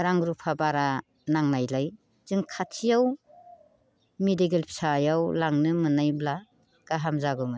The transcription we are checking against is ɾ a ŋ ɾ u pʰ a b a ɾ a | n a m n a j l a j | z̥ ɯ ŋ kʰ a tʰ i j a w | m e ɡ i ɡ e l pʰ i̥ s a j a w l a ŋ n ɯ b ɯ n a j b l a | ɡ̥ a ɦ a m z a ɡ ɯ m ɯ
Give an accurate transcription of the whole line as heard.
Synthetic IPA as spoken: ɾ a ŋ ɾ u pʰ a b a ɾ a | n a ŋ n a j l a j | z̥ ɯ ŋ kʰ a tʰ i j a w | m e d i ɡ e l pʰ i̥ s a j a w l a ŋ n ɯ m ɯ n a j b l a | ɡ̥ a ɦ a m z a ɡ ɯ m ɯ